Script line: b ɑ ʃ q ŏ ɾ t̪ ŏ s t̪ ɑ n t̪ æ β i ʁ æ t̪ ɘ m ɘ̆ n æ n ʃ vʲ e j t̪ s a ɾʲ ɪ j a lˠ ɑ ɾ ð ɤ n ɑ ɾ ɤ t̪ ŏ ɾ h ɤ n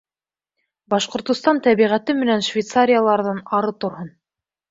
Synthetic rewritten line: b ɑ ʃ q ŏ ɾ t̪ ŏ s t̪ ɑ n t̪ æ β i ʁ æ t̪ ɘ m ɘ̆ n æ n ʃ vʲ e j t̪ s a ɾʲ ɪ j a lˠ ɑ ɾ ð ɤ n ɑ ɾ ɤ t̪ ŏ ɾ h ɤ n